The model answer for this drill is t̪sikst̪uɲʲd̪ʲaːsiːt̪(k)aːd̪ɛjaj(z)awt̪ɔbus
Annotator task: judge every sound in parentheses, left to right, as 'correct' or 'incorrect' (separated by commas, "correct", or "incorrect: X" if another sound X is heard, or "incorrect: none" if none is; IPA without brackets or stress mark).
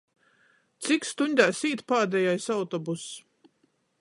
incorrect: p, incorrect: s